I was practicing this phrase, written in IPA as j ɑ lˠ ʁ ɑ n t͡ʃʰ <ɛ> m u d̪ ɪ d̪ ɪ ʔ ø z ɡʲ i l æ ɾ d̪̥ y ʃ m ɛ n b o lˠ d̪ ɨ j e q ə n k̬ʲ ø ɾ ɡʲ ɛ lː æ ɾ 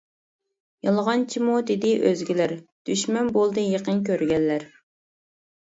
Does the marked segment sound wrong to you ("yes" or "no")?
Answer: yes